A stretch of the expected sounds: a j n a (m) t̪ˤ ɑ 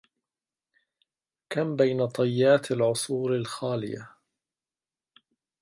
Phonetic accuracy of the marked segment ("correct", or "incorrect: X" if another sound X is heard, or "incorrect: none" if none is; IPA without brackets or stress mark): incorrect: none